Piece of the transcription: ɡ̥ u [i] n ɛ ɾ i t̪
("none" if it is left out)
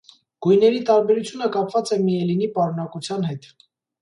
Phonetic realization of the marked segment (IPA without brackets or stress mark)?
j